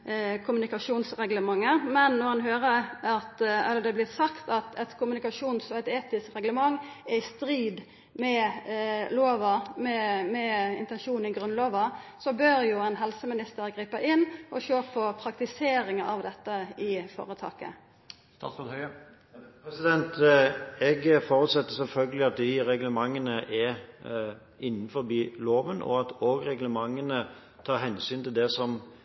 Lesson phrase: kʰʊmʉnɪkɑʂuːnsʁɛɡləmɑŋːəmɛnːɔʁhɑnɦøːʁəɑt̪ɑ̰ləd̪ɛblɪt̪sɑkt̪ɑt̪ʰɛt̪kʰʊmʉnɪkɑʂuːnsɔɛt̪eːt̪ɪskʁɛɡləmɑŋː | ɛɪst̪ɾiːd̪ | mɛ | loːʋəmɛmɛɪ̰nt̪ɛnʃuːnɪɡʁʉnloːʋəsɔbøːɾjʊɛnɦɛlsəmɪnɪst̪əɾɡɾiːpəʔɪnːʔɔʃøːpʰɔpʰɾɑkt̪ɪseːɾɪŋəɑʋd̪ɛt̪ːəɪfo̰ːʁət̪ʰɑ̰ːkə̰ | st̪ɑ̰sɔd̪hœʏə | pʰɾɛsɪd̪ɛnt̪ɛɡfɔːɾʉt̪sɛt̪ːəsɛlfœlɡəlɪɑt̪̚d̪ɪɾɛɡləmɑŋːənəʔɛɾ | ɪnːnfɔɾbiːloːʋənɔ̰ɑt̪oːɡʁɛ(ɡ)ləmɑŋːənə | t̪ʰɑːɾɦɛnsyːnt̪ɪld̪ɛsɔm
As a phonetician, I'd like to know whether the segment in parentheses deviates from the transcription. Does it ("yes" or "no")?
no